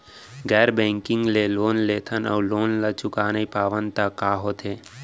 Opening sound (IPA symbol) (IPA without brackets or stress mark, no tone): ɡ